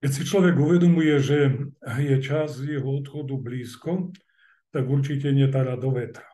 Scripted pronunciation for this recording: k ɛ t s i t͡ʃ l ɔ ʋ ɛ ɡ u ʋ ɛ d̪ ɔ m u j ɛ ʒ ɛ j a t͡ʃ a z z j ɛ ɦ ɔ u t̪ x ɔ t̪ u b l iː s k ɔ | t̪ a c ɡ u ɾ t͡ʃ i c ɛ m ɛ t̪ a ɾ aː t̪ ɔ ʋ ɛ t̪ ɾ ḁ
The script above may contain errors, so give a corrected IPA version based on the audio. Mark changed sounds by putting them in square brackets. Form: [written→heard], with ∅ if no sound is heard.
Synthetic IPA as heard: k ɛ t s i t͡ʃ l ɔ ʋ ɛ ɡ u ʋ ɛ d̪ ɔ m u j ɛ ʒ ɛ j [a→ɛ] t͡ʃ a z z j ɛ ɦ ɔ [u→ɔ] t̪ x ɔ [t̪→d̪] u b l iː s k ɔ | t̪ a [c→∅] ɡ u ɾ t͡ʃ i c ɛ [m→ɲ] ɛ t̪ a ɾ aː [t̪→d̪] ɔ ʋ ɛ t̪ ɾ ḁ